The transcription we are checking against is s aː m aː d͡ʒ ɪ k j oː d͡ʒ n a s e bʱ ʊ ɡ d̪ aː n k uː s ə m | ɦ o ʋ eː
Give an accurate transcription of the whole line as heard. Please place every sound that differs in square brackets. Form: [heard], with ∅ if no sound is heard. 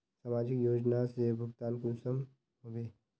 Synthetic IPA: s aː m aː d͡ʒ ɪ k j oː d͡ʒ n a s e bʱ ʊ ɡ [t̪] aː n k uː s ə m | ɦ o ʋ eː